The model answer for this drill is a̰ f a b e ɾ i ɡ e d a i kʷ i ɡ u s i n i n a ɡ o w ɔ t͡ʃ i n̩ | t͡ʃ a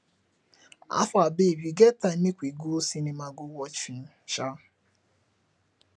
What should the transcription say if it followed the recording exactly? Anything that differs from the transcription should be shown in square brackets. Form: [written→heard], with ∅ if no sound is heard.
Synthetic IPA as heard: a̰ f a b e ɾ i ɡ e [d→t] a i kʷ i ɡ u s i n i [n→m] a ɡ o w ɔ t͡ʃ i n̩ | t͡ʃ a